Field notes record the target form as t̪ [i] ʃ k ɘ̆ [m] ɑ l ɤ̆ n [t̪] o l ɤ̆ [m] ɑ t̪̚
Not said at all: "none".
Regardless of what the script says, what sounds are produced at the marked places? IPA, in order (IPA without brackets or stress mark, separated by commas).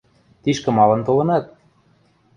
i, m, t̪, n